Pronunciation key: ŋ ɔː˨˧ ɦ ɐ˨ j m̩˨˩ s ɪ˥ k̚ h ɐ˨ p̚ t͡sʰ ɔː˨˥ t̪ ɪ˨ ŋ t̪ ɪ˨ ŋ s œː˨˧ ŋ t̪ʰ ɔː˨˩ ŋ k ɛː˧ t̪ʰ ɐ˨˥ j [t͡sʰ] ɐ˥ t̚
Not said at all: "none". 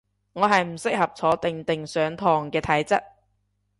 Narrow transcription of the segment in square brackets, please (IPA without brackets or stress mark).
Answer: t͡s